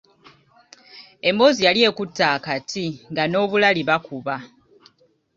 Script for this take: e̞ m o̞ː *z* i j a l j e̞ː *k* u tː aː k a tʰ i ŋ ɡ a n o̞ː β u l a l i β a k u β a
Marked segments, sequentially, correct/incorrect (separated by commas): correct, correct